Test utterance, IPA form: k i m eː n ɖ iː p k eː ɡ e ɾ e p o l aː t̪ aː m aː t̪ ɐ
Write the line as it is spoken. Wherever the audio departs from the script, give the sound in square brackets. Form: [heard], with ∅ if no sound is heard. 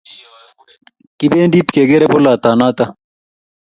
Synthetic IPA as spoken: k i [b] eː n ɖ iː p k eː ɡ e ɾ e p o l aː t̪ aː [n] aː t̪ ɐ